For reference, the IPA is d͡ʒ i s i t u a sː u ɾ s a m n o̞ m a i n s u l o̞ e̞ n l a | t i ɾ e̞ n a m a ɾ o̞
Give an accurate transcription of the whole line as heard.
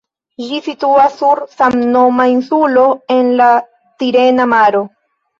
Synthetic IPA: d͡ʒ i s i t u a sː u ɾ s a m n o̞ m a i n s u l o̞ e̞ n l a | t i ɾ e̞ n a m a ɾ o̞